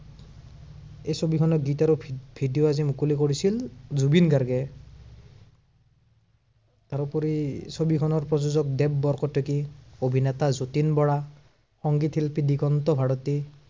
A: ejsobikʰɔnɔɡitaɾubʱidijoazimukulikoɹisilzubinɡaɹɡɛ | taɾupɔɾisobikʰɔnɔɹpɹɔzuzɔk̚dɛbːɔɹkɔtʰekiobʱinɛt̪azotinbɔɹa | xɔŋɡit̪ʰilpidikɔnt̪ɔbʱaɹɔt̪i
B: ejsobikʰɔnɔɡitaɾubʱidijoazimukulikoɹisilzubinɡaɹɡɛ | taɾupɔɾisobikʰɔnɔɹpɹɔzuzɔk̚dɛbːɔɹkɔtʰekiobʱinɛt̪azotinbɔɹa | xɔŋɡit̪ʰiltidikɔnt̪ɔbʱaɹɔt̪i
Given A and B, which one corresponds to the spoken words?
A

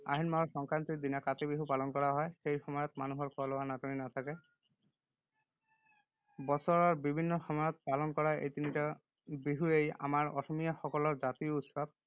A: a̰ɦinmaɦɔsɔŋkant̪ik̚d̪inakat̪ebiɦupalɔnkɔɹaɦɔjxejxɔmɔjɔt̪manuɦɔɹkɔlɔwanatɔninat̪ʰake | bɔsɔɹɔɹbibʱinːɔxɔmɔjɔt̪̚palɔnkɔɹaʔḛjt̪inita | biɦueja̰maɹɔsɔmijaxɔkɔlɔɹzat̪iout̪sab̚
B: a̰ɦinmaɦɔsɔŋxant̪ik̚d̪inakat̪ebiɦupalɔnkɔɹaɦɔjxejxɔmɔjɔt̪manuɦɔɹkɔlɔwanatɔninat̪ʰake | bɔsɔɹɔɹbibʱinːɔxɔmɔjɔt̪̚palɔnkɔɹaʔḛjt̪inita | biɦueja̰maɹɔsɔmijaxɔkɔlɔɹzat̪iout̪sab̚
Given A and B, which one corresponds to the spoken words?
A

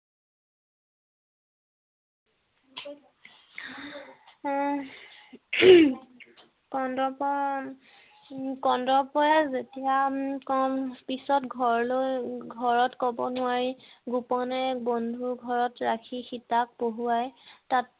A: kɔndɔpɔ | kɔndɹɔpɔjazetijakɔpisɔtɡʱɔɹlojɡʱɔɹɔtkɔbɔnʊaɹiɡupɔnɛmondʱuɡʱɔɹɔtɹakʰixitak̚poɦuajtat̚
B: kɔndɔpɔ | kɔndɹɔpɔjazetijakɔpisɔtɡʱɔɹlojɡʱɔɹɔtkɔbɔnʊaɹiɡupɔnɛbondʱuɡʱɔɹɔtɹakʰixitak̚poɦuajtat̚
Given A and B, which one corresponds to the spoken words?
B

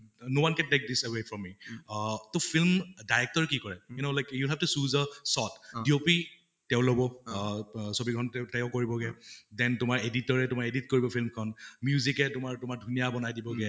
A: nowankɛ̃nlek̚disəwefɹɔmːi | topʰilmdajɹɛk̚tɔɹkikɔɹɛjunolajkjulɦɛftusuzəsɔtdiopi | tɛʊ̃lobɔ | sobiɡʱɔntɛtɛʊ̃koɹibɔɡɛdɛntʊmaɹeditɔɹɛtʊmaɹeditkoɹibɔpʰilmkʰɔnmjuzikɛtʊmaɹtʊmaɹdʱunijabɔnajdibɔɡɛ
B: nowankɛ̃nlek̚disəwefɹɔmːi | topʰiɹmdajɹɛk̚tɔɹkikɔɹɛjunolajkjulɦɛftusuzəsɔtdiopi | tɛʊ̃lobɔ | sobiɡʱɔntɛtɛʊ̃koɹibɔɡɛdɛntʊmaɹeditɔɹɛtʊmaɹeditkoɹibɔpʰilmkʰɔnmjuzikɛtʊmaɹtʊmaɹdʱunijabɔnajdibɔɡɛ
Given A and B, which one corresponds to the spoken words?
A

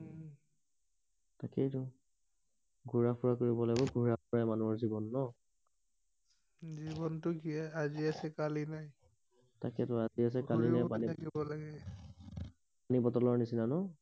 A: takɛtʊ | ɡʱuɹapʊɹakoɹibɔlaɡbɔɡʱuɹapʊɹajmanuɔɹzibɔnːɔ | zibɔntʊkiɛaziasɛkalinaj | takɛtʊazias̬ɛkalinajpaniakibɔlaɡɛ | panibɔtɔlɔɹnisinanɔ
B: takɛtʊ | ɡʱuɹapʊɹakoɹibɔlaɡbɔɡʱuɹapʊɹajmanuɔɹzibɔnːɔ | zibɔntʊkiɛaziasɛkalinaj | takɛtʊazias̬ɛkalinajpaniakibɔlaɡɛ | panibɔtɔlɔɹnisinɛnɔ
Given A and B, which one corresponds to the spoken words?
A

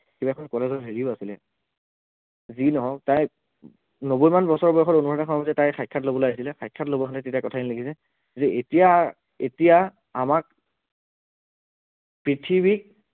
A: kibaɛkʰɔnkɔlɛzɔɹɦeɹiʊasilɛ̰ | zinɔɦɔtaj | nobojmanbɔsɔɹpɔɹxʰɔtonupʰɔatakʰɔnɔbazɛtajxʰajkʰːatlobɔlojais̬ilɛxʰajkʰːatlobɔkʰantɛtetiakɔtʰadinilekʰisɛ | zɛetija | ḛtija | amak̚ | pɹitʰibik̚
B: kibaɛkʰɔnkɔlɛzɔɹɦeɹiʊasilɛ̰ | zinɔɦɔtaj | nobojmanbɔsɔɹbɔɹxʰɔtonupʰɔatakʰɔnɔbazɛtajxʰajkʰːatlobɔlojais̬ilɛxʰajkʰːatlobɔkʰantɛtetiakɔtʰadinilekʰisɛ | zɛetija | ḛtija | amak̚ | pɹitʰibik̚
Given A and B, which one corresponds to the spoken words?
B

